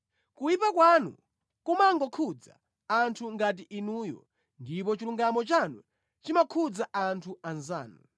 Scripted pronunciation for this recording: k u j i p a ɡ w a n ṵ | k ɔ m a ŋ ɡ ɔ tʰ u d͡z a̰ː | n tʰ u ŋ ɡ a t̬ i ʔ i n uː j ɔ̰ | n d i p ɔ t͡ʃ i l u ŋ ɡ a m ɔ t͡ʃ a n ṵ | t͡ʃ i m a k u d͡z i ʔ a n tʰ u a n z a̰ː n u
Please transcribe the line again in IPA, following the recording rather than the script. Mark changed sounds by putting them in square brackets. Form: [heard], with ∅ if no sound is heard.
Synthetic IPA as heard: k u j i p a [k] w a n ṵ | k [u] m a ŋ ɡ ɔ [kʰ] u d͡z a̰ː | n tʰ u ŋ ɡ a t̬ i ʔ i n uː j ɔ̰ | n d i p ɔ t͡ʃ i l u ŋ ɡ a m ɔ t͡ʃ a n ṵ | t͡ʃ i m a [kʰ] u d͡z [a] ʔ a n tʰ u a n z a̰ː n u